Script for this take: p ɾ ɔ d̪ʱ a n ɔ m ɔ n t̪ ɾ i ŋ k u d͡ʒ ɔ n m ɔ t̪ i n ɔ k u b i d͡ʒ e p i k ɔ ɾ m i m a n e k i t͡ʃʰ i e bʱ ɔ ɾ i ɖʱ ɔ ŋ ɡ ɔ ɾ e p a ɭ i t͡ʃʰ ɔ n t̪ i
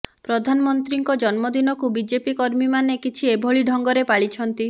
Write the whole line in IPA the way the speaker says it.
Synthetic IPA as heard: p ɾ ɔ d̪ʱ a n ɔ m ɔ n t̪ ɾ i ŋ k ɔ d͡ʒ ɔ n m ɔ d̪ i n ɔ k u b i d͡ʒ e p i k ɔ ɾ m i m a n e k i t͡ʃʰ i e bʱ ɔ ɭ i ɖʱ ɔ ŋ ɡ ɔ ɾ e p a ɭ i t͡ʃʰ ɔ n t̪ i